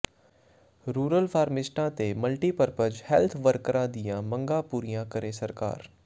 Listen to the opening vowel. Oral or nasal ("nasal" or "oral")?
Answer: oral